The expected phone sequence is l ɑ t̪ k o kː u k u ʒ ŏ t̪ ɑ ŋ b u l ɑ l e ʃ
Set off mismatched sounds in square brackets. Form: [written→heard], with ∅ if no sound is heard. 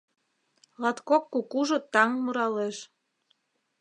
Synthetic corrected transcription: l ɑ t̪ k o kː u k u ʒ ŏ t̪ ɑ ŋ [b→m] u [l→ɾ] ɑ l e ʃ